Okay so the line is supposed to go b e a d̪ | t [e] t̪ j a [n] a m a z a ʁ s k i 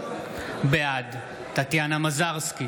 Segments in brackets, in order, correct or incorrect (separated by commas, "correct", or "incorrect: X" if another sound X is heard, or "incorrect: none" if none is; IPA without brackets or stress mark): incorrect: a, correct